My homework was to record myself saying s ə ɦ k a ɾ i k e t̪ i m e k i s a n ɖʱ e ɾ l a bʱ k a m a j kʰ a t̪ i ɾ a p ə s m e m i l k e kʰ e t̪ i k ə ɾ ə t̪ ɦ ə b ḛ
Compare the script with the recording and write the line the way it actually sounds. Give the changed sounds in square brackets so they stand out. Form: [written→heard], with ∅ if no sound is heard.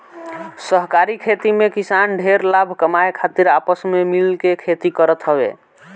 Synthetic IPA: s ə ɦ k a ɾ i [k→kʰ] e t̪ i m e k i s a n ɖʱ e ɾ l a bʱ k [a→ə] m a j kʰ a t̪ i ɾ a p ə s m e m i l k e kʰ e t̪ i k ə ɾ ə t̪ ɦ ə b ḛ